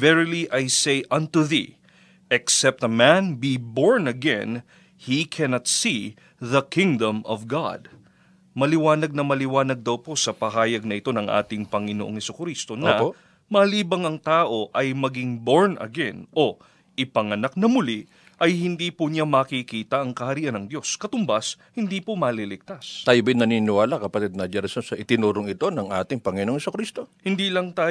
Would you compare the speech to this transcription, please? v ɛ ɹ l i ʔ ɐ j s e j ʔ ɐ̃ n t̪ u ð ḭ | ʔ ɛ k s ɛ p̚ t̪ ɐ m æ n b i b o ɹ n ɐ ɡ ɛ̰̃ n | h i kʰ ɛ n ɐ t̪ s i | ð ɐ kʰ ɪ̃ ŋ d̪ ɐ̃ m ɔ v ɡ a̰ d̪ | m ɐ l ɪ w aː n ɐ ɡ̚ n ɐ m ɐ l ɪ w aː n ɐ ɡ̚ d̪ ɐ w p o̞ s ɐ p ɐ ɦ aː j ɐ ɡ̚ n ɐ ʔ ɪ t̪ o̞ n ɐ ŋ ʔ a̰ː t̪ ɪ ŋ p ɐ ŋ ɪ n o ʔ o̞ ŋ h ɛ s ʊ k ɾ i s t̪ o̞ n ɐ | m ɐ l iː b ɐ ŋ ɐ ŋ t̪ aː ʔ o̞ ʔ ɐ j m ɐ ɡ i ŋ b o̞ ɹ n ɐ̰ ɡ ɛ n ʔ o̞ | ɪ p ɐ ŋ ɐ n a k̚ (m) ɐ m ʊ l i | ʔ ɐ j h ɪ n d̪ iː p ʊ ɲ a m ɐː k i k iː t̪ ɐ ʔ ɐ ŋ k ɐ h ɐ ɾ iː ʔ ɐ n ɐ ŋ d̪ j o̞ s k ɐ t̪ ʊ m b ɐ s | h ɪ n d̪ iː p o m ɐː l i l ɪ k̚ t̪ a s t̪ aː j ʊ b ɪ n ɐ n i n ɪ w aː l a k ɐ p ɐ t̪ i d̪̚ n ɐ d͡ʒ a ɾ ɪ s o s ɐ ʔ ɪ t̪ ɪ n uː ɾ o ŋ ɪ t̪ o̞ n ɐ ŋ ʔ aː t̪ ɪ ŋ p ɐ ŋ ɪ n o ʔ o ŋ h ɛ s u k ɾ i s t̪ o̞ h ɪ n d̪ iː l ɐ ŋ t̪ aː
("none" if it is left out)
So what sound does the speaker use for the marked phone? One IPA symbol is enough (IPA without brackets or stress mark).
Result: n